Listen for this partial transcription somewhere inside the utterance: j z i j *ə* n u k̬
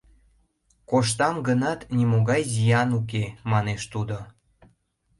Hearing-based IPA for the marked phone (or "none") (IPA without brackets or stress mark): ɑ